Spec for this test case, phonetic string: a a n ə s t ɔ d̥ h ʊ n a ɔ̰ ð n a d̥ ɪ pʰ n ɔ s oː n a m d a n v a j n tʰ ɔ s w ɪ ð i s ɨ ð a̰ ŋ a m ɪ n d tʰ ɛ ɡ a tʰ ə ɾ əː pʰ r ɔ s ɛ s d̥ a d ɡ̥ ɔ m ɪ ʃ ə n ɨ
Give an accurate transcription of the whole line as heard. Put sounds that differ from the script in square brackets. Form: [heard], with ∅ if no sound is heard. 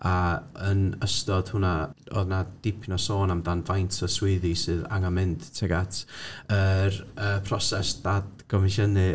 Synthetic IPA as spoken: a [ə] n ə s t ɔ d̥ h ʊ n a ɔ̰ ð n a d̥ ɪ pʰ n ɔ s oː n a m d a n v a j n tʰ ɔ s w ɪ ð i s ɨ ð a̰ ŋ a m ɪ n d tʰ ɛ ɡ a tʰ ə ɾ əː pʰ r ɔ s ɛ s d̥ a d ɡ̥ ɔ m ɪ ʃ ə n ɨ